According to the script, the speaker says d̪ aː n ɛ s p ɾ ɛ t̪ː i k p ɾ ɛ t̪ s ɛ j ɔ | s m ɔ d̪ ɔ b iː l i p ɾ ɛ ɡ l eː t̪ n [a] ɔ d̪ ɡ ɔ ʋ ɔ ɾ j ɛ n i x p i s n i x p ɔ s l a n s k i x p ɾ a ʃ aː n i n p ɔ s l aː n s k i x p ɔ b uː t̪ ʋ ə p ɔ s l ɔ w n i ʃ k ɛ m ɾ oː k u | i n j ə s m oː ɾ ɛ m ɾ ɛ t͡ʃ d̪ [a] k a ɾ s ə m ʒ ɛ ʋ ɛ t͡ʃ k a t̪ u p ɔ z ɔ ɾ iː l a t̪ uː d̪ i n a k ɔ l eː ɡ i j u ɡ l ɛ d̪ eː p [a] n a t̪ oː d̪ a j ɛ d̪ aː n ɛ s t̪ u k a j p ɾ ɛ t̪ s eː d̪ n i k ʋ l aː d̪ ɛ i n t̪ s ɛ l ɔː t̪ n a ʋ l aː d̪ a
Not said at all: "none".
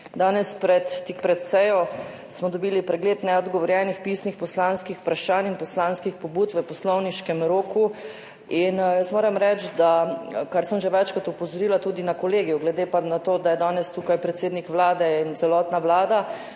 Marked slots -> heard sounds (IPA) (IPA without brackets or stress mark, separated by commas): ɛ, a, a